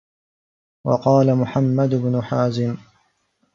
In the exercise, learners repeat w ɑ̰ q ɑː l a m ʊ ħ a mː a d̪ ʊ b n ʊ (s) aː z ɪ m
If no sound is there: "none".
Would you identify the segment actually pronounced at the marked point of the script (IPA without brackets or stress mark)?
ħ